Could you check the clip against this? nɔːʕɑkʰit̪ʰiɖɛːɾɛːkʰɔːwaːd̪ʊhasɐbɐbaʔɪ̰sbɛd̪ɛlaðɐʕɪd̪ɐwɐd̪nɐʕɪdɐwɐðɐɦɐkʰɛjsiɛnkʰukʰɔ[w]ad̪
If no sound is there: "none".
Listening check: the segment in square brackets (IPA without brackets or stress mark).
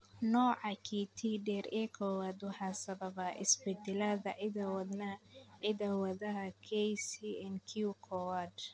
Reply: w